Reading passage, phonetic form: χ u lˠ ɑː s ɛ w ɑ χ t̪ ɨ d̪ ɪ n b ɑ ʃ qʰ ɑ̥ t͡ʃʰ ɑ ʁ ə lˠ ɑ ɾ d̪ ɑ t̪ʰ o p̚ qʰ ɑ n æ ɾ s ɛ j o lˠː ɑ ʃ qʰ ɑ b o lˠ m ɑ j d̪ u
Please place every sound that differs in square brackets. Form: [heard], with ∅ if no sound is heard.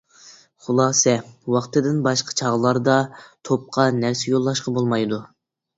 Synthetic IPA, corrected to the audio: χ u lˠ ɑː s ɛ w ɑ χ t̪ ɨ d̪ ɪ n b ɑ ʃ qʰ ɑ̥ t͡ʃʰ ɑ ʁ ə lˠ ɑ ɾ d̪ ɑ t̪ʰ o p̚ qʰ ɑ n æ ɾ s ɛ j o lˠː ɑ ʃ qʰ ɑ b o lˠ m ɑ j d̪ u